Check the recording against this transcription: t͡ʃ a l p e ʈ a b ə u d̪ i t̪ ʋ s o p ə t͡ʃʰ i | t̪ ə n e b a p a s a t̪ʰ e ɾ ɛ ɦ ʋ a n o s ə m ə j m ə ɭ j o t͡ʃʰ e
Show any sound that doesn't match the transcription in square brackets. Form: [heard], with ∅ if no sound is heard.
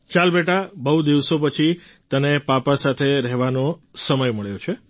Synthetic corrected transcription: t͡ʃ a l [b] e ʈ a b ə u d̪ i [∅] ʋ s o p ə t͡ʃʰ i | t̪ ə n e [p] a p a s a t̪ʰ e ɾ ɛ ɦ ʋ a n o s ə m ə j m ə ɭ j o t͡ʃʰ e